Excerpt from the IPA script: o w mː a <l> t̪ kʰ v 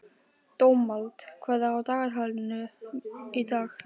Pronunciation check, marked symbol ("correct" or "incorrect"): correct